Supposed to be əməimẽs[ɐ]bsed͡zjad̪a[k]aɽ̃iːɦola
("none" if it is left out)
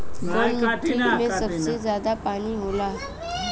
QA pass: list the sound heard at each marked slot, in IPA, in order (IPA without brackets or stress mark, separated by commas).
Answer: ə, p